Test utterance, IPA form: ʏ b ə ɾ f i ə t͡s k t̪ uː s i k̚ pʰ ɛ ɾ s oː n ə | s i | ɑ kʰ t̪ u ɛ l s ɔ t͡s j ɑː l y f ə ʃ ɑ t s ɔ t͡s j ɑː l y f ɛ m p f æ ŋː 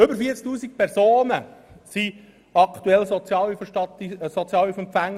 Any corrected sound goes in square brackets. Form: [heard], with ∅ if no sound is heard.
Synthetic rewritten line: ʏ b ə ɾ f i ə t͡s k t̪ uː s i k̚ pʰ ɛ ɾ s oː n ə | s i | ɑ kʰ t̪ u ɛ l s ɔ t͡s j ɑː l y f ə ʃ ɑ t s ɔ t͡s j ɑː l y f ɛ m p f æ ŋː